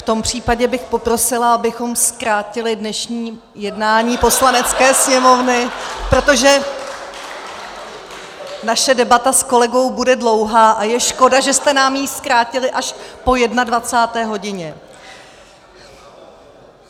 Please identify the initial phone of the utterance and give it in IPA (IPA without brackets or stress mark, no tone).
f